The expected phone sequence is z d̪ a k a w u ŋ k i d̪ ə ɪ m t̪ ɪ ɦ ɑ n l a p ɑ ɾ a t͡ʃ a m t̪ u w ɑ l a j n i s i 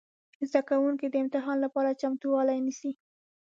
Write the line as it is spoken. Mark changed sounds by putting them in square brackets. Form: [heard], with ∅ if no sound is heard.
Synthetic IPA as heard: z d̪ a k a w u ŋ k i d̪ ə ɪ m t̪ ɪ ɦ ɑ n l a p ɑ ɾ a t͡ʃ a m t̪ u w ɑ l a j n i s i